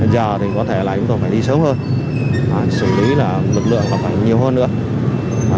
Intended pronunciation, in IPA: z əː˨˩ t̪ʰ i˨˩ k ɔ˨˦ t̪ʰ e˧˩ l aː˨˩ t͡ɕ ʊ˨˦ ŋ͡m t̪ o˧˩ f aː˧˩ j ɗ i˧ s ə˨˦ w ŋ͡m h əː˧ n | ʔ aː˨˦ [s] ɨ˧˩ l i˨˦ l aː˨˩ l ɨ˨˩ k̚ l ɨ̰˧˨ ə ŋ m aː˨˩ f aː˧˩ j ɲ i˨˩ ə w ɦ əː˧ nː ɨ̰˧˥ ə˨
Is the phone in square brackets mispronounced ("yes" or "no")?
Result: no